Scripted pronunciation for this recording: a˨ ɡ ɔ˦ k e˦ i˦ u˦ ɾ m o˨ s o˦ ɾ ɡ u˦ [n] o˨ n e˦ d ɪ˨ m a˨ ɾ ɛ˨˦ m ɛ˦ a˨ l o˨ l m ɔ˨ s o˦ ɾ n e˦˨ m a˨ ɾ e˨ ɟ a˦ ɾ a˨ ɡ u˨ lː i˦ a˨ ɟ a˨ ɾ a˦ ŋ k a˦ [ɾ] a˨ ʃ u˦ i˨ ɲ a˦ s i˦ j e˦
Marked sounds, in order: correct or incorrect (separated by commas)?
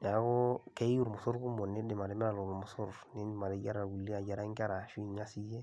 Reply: incorrect, correct